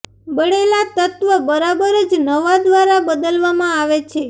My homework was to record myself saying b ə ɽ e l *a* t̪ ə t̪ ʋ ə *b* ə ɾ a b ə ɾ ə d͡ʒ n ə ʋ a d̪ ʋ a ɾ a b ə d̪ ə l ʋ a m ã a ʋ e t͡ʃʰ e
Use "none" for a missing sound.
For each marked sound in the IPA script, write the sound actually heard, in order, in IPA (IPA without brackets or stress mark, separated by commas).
a, b